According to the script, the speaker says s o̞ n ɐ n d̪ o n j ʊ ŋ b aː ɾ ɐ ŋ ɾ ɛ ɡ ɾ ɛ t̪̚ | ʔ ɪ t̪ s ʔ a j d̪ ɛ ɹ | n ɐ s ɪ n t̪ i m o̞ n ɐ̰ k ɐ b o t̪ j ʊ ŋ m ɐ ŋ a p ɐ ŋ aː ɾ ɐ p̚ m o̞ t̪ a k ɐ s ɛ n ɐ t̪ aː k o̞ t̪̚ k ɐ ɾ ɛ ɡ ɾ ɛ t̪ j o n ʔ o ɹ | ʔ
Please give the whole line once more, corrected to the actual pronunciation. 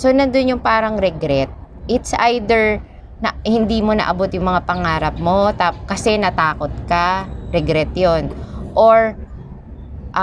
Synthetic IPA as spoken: s o̞ n ɐ n d̪ o n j ʊ ŋ p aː ɾ ɐ ŋ ɾ ɛ ɡ ɾ ɛ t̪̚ | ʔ ɪ t̪ s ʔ a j d̪ ɛ ɹ | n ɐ h ɪ n d̪ i m o̞ n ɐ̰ ʔ ɐ b o t̪ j ʊ ŋ m ɐ ŋ a p ɐ ŋ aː ɾ ɐ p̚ m o̞ t̪ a k ɐ s ɛ n ɐ t̪ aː k o̞ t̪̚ k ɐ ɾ ɛ ɡ ɾ ɛ t̪ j o n ʔ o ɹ | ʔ